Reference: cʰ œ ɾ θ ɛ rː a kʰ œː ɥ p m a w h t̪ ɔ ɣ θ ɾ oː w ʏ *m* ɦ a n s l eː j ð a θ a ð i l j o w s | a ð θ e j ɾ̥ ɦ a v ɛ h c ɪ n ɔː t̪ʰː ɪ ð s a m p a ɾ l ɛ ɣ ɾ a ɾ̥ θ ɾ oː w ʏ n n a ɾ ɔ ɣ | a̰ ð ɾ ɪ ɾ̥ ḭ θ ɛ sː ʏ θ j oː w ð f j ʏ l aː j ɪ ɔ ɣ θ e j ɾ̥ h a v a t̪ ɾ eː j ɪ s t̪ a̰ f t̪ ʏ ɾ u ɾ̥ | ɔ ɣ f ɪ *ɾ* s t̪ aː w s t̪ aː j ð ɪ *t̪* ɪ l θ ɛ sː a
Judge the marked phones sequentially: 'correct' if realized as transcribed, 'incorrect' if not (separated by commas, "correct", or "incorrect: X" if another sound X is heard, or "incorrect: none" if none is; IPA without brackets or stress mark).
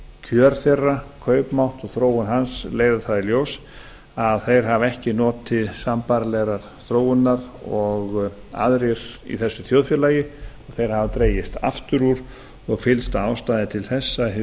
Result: incorrect: n, incorrect: l, incorrect: t̪ʰ